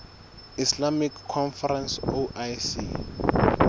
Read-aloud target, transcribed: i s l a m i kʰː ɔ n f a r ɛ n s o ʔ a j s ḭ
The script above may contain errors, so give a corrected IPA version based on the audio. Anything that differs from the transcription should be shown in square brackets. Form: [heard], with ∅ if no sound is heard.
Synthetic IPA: i s l a m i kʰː ɔ n f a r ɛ n s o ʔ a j s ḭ